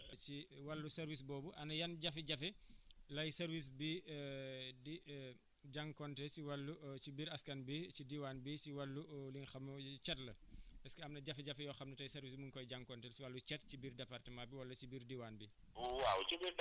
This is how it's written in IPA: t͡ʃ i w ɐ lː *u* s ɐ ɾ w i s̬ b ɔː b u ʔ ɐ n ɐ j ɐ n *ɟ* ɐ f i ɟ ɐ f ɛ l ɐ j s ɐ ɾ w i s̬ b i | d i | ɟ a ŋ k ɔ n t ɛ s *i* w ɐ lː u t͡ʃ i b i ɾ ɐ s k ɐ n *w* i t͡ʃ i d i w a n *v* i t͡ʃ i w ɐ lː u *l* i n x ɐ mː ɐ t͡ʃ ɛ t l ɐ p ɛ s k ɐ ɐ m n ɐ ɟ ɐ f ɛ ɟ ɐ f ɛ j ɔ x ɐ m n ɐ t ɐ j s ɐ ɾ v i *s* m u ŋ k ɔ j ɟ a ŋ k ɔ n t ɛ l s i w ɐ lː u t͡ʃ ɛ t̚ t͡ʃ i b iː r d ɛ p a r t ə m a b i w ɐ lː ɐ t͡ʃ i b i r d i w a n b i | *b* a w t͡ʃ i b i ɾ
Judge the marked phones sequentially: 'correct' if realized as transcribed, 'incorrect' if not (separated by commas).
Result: correct, correct, correct, incorrect, incorrect, correct, correct, incorrect